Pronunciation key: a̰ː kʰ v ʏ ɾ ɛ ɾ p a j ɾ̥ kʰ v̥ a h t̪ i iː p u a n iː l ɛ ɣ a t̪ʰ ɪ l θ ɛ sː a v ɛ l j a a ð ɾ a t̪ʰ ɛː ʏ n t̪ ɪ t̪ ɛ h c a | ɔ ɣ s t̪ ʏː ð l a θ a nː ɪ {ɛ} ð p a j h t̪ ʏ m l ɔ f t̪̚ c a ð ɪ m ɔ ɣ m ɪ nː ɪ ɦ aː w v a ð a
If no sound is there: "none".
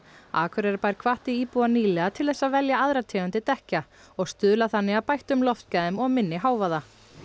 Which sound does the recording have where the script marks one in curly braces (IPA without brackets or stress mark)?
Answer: a